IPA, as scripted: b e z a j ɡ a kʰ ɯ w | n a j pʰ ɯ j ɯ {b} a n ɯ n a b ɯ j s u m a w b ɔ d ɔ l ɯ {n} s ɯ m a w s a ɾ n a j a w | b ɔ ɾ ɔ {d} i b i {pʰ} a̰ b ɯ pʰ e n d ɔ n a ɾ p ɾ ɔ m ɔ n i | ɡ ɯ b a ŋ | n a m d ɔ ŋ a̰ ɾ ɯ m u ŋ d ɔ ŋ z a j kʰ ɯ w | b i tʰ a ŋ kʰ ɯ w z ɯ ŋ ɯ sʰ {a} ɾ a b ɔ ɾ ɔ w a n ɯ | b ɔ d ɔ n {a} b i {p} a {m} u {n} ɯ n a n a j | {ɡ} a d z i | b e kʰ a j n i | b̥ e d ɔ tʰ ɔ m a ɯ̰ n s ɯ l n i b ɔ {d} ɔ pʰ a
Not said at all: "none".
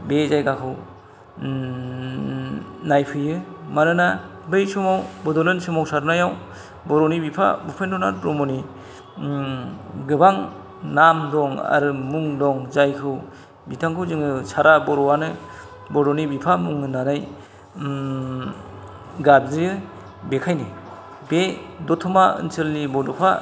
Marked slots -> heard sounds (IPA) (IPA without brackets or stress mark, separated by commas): m, n, n, pʰ, a, i, pʰ, m, ŋ, ɡ, d